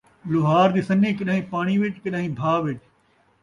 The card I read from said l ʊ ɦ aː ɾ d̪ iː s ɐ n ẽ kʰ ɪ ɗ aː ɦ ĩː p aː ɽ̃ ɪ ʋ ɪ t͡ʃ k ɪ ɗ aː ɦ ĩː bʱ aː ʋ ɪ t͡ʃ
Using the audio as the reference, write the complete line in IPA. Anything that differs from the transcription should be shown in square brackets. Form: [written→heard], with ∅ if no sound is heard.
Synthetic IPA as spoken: l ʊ ɦ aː ɾ d̪ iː s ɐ n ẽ [kʰ→k] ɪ ɗ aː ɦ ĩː p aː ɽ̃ [ɪ→i] ʋ ɪ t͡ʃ k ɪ ɗ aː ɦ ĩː bʱ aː ʋ ɪ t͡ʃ